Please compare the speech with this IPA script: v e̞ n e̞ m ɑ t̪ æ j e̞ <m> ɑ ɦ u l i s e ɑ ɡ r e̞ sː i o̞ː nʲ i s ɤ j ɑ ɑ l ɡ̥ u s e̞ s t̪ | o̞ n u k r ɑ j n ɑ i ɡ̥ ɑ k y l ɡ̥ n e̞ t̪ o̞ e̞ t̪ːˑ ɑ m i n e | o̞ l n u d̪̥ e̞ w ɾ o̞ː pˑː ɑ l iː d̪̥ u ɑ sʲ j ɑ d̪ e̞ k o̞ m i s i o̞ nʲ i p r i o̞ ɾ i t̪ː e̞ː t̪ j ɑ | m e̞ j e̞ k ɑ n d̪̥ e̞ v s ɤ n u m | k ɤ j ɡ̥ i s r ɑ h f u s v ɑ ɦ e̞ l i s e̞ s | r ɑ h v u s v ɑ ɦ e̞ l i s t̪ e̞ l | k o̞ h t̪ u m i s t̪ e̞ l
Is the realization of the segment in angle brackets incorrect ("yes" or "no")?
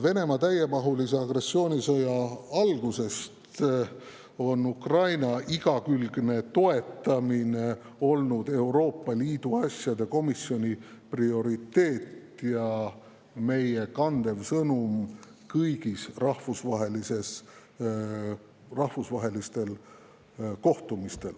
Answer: no